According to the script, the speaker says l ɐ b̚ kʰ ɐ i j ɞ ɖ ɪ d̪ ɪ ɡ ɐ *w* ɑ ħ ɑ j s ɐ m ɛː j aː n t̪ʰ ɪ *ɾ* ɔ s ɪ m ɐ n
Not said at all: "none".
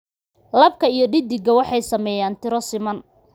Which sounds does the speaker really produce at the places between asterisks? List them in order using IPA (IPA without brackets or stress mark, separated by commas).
w, ɾ